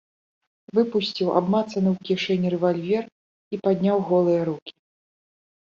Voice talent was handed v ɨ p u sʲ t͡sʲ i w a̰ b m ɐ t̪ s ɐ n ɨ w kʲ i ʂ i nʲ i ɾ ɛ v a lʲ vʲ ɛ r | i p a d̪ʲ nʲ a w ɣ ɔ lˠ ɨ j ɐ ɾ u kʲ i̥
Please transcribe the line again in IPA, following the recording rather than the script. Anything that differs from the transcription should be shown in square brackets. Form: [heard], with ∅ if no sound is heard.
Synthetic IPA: v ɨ p u sʲ t͡sʲ i w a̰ b m [a] t̪ s ɐ n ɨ w kʲ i ʂ [ɛ] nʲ i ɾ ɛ v a lʲ vʲ ɛ r | i p a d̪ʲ nʲ a w ɣ ɔ lˠ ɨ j ɐ ɾ u kʲ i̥